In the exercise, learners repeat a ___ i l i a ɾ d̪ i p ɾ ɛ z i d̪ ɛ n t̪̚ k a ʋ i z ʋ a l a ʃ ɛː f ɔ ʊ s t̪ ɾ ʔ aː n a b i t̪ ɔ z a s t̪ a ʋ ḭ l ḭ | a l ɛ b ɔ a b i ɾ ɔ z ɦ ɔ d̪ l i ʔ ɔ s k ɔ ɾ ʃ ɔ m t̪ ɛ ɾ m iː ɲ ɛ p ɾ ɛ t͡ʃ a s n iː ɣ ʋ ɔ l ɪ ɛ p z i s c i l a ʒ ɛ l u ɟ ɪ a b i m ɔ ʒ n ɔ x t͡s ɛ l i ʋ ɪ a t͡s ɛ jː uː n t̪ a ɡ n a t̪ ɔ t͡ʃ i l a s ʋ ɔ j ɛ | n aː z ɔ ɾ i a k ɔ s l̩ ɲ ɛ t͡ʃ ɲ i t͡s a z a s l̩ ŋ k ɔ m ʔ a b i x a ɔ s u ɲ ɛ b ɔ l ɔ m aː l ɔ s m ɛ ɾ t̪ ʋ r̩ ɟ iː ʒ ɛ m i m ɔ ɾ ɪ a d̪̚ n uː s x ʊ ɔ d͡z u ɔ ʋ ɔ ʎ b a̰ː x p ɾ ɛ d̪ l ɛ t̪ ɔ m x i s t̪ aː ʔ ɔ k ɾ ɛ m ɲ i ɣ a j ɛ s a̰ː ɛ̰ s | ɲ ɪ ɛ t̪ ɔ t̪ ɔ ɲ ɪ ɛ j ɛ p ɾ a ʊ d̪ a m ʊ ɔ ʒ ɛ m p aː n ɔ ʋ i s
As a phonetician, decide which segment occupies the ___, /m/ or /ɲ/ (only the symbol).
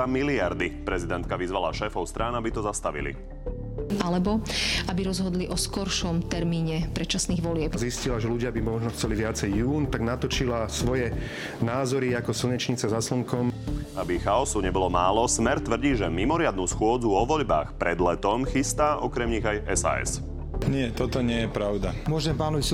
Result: m